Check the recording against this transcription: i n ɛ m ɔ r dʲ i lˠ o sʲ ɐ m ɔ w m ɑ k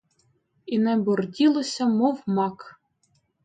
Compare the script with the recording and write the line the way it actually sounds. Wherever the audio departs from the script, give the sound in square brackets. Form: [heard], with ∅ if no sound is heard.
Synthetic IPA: i n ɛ [b] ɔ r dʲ i lˠ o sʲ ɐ m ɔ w m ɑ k

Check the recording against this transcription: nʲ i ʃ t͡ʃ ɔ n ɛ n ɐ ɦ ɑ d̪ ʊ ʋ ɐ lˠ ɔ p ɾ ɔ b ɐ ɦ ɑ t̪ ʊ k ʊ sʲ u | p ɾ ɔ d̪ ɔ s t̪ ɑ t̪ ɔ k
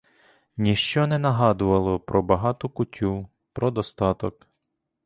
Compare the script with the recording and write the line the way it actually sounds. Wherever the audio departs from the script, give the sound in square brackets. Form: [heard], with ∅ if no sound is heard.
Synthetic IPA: nʲ i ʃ t͡ʃ ɔ n ɛ n ɐ ɦ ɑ d̪ ʊ ʋ ɐ lˠ ɔ p ɾ ɔ b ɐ ɦ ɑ t̪ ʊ k ʊ [tʲ] u | p ɾ ɔ d̪ ɔ s t̪ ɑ t̪ ɔ k

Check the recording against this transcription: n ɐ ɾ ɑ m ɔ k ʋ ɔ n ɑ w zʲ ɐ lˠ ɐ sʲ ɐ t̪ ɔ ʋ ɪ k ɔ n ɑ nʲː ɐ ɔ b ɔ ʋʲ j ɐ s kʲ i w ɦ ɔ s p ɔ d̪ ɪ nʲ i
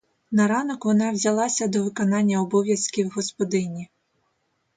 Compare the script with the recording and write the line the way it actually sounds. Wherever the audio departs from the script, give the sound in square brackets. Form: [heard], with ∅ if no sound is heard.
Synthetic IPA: n ɐ ɾ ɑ [n] ɔ k ʋ ɔ n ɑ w zʲ ɐ lˠ [ɑ] sʲ ɐ [d̪] ɔ ʋ ɪ k ɔ n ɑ nʲː ɐ ɔ b ɔ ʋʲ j ɐ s kʲ i w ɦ ɔ s p ɔ d̪ ɪ nʲ i

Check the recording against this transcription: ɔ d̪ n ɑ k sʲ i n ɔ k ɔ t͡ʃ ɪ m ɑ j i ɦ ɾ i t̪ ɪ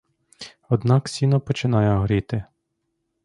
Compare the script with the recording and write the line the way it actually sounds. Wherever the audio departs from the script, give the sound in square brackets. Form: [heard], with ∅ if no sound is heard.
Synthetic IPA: ɔ d̪ n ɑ k sʲ i n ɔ [p] ɔ t͡ʃ ɪ [n] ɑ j [ɛ] ɦ ɾ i t̪ ɪ

